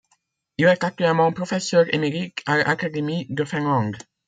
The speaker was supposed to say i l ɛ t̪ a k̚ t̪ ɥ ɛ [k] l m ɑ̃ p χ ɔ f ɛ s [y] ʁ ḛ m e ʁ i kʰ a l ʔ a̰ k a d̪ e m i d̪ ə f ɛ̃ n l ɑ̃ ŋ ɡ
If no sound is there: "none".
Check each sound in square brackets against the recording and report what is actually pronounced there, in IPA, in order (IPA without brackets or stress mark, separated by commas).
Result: none, œ